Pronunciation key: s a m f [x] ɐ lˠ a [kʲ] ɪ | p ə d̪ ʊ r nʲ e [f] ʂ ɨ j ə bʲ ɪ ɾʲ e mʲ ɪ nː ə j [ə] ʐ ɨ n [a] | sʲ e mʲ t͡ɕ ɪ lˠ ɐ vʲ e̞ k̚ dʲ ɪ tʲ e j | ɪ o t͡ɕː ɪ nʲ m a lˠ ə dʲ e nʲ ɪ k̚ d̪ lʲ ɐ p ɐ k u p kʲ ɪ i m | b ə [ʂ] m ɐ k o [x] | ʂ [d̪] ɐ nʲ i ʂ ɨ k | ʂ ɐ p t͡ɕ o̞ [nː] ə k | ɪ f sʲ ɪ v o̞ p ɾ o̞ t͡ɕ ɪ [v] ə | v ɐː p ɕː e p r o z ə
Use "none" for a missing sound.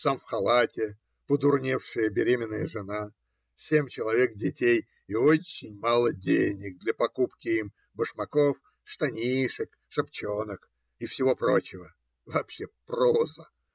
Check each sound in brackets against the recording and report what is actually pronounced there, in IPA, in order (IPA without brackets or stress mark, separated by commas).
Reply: x, tʲ, f, ə, a, ʂ, f, t̪, n, v